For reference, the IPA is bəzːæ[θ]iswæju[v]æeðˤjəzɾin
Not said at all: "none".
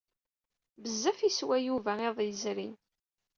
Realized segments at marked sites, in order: f, v

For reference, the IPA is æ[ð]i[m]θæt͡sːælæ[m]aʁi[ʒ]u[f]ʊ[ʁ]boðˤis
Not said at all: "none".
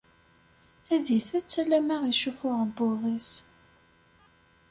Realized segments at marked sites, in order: ð, none, m, ʃ, f, ʁ

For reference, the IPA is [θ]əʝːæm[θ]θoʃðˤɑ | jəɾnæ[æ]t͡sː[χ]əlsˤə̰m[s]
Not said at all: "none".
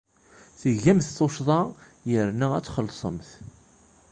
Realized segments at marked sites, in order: θ, θ, æ, χ, θ

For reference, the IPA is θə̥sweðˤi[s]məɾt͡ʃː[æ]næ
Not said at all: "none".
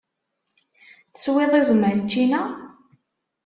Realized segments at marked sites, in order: z, i

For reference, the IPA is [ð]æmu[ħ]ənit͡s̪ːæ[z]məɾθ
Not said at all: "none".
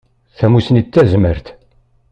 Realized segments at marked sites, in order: θ, s, z

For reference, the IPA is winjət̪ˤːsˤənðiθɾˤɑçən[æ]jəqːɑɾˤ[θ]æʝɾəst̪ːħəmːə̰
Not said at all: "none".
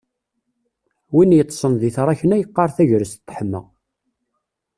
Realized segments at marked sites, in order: æ, θ

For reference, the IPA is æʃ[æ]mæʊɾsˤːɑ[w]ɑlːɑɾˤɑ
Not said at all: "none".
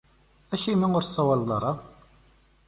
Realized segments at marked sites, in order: i, w

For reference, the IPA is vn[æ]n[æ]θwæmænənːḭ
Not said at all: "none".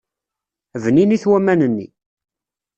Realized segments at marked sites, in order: i, i

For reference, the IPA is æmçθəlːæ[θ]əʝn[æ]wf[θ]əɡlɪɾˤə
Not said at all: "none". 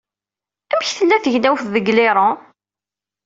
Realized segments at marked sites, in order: θ, æ, ð

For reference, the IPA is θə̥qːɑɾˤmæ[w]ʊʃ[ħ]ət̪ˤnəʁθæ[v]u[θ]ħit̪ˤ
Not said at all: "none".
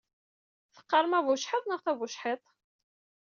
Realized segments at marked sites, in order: v, ħ, v, ʃ

